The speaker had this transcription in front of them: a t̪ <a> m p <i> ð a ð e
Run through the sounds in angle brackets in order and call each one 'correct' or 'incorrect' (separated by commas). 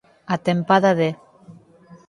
incorrect, incorrect